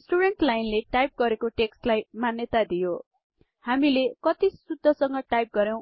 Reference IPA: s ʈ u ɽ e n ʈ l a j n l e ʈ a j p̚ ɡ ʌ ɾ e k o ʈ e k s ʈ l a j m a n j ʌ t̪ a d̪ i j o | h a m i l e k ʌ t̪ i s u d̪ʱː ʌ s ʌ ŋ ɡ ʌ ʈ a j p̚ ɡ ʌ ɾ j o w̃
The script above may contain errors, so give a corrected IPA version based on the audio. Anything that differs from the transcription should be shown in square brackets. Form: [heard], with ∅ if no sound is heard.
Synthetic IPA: s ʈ u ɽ e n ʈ l a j n l e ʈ a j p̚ ɡ ʌ ɾ e k o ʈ e k s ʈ l a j m a n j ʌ t̪ a d̪ i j o | h a m i l e k ʌ t̪ i s u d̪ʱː ʌ s ʌ ŋ ɡ ʌ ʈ a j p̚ ɡ ʌ ɾ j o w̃